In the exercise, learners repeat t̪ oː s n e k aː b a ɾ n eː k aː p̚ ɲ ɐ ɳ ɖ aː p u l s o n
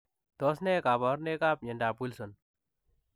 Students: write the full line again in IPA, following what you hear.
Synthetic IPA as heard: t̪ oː s n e k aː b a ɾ n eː k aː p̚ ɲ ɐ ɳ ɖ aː p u l s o n